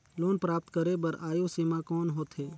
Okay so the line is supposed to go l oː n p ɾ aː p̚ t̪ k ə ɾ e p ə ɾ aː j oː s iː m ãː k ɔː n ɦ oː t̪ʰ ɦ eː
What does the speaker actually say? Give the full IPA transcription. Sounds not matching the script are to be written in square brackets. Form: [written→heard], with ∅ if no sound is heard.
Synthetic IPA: l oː n p ɾ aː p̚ t̪ k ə ɾ e [p→b] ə ɾ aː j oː s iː m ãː k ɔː n ɦ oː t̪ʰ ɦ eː